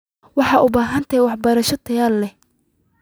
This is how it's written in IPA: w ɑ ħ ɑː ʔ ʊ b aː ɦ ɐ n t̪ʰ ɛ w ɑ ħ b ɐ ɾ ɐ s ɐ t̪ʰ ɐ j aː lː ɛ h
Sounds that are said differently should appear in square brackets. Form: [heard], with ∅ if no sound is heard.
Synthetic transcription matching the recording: w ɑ ħ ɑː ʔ ʊ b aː ɦ ɐ n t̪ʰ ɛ w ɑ ħ b ɐ ɾ ɐ [ʃ] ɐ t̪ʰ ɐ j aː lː ɛ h